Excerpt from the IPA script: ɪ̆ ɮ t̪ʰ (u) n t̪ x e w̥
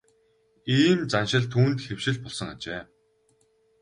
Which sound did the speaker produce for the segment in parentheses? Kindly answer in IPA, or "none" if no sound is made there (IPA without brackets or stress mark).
uː